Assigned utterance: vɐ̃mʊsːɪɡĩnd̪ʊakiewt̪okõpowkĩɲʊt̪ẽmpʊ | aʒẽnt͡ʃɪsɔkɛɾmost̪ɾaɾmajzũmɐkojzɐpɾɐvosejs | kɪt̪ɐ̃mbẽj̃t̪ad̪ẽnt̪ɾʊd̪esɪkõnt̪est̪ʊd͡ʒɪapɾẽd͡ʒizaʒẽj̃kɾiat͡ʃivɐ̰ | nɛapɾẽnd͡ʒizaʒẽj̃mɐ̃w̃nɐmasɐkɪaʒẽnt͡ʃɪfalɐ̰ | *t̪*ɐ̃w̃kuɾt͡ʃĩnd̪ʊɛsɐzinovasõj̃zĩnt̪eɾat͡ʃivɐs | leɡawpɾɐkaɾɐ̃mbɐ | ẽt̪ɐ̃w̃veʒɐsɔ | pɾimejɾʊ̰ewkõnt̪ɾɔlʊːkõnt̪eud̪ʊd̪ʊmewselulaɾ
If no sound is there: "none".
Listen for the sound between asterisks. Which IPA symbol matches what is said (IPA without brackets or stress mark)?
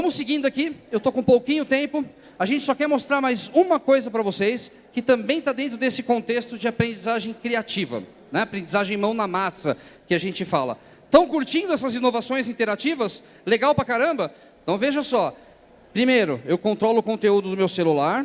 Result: t̪